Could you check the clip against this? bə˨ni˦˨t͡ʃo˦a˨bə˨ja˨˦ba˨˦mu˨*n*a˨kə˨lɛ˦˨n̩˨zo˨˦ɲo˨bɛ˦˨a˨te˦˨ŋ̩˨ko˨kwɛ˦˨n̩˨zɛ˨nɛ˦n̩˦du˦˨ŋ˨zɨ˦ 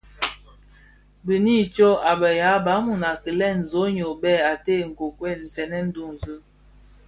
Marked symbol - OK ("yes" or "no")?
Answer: yes